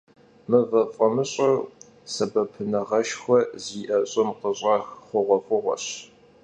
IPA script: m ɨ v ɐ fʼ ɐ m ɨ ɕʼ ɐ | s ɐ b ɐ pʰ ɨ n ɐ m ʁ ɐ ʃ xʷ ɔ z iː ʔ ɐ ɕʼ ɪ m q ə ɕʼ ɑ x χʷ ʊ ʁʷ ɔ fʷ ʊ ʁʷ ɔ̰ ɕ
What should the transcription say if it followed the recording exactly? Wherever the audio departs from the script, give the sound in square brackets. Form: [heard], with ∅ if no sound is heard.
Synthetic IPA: m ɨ v ɐ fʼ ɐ m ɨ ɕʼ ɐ | s ɐ b ɐ pʰ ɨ n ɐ [∅] ʁ ɐ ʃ xʷ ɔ z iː ʔ ɐ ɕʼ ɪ m q ə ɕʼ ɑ x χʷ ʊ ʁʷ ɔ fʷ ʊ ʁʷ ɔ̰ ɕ